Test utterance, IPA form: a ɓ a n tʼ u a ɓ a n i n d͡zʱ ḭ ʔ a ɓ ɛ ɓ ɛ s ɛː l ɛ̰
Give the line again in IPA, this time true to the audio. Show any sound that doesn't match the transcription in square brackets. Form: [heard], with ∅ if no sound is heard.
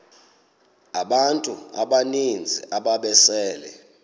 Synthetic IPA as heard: a ɓ a n tʼ u a ɓ a n i n d͡zʱ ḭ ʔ a ɓ [a] ɓ ɛ s ɛː l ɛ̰